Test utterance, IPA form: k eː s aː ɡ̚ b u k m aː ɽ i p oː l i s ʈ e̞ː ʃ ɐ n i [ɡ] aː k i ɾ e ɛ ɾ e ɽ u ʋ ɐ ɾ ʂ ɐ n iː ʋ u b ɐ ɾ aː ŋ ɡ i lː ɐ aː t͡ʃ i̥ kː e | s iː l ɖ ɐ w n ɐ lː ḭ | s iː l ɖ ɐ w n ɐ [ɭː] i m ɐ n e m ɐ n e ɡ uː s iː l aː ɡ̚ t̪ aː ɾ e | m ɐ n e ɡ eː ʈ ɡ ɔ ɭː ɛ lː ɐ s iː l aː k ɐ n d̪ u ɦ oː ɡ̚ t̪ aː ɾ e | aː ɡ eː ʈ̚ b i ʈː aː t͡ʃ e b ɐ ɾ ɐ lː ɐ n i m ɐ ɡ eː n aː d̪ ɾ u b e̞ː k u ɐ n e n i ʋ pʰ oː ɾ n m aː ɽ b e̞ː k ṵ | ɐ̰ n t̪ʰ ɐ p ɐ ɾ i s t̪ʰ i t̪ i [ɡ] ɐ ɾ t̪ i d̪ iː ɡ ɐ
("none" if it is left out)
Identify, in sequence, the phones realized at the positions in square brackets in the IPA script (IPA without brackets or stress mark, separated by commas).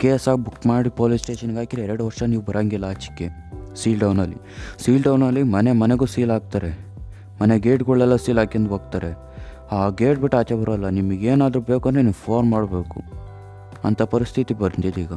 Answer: ɡ, lː, b